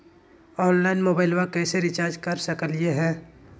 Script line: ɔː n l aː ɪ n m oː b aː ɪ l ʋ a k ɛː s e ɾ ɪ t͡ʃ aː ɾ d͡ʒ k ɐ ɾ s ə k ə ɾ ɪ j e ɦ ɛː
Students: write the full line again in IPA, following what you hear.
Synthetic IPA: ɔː n l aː ɪ n m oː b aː ɪ l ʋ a k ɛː s e ɾ ɪ t͡ʃ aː ɾ d͡ʒ k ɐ ɾ s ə k ə l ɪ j e ɦ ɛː